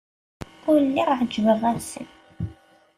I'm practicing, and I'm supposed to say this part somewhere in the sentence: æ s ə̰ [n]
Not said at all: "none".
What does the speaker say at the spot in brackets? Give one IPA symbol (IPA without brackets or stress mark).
n